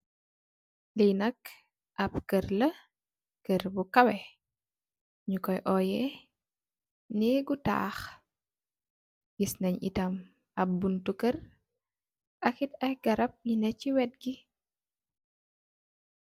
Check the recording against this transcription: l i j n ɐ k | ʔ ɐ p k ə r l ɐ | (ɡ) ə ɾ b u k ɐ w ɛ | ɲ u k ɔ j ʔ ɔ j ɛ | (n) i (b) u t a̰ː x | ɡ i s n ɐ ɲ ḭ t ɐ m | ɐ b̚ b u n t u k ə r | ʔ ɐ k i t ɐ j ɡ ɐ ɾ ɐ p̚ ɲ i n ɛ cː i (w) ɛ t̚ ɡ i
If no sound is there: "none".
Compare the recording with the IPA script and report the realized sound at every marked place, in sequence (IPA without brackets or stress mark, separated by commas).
k, n, ɡ, w